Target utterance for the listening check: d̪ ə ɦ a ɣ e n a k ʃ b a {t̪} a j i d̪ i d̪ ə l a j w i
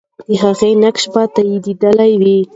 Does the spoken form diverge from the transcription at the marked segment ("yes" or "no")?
no